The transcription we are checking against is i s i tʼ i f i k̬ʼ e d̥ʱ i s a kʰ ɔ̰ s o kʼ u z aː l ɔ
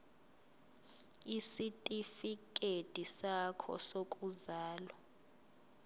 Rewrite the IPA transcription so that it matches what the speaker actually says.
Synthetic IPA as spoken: i s i tʼ i f i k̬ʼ e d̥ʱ i s a kʰ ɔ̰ s o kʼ u z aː l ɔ